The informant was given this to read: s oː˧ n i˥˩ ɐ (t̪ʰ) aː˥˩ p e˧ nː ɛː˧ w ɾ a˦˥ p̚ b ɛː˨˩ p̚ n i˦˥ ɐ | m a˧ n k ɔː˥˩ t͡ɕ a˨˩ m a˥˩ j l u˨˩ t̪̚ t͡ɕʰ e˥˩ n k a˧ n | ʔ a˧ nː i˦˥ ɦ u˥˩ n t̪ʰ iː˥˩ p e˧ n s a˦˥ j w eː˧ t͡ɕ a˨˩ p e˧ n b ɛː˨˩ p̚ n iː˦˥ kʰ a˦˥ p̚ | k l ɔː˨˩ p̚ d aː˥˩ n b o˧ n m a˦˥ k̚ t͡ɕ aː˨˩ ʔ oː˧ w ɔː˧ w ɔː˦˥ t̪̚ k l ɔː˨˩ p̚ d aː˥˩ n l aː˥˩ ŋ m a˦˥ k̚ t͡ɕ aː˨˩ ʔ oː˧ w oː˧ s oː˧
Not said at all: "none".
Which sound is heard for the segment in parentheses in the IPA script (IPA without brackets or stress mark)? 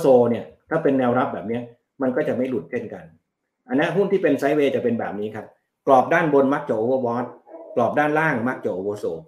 t̪ʰ